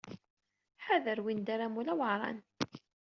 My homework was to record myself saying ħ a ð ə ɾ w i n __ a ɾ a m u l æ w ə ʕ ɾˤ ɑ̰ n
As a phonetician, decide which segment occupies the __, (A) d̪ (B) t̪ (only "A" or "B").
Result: A